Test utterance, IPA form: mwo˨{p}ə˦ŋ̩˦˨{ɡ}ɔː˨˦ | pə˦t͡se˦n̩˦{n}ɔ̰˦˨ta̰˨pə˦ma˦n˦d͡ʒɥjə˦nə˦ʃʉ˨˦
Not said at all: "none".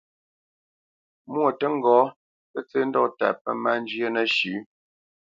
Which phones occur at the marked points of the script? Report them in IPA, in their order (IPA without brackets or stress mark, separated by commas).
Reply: t, ɡ, d